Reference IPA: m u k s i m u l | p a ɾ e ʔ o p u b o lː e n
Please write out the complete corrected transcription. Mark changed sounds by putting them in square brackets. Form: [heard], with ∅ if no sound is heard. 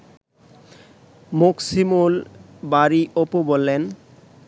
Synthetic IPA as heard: m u k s i m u l | [b] a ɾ [i] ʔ o p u b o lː e n

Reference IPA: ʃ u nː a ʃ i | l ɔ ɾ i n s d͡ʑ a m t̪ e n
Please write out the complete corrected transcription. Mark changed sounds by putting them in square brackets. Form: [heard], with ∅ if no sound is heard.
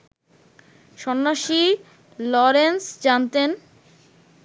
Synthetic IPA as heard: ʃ [ɔ] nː a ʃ i | l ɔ ɾ [e] n s d͡ʑ a [n] t̪ e n

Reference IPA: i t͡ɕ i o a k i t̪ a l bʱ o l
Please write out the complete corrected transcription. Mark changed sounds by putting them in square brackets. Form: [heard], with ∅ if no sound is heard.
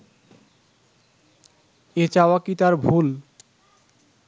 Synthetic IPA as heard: [e] t͡ɕ [a] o a k i t̪ a [ɾ] bʱ [u] l

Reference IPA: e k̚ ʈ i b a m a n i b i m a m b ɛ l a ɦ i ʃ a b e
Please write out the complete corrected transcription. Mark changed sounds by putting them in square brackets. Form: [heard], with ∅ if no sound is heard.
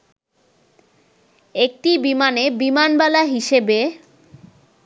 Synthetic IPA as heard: e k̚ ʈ i b [i] m a n [e] b i m a [n] b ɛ l a ɦ i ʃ [e] b e

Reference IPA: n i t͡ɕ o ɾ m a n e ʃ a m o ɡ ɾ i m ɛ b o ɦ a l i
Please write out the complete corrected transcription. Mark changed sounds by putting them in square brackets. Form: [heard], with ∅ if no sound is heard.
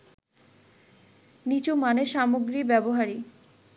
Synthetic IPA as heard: n i t͡ɕ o [∅] m a n e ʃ a m o ɡ ɾ i [b] ɛ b o ɦ a [ɾ] i

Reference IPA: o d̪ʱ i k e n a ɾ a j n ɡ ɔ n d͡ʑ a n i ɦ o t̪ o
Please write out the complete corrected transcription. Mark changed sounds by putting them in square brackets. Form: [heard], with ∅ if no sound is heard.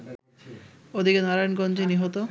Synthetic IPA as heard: o d̪ʱ i k e n a ɾ a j n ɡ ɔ n d͡ʑ [e] n i ɦ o t̪ o

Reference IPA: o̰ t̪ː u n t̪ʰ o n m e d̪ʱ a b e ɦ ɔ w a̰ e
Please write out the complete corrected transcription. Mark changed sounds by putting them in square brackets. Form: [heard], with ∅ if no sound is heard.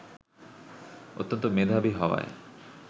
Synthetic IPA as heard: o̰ t̪ː [o] n [t̪] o [∅] m e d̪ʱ a b [i] ɦ ɔ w a̰ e

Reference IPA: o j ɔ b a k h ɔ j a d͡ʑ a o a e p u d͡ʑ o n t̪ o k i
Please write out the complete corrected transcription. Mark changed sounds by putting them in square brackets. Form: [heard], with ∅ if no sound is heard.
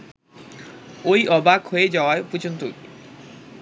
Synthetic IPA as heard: o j ɔ b a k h [o] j [e] d͡ʑ a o a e p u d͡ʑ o n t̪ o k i

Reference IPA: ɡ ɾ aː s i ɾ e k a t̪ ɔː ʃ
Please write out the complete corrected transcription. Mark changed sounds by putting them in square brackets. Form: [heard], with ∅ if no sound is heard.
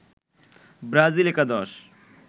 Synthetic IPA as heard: [b] ɾ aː [z] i [l] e k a [d̪] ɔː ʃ

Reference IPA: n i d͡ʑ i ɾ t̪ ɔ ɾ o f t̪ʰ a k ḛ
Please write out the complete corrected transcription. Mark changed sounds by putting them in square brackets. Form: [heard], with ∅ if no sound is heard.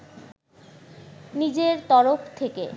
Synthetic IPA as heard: n i d͡ʑ [e] ɾ t̪ ɔ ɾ o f t̪ʰ [e] k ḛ

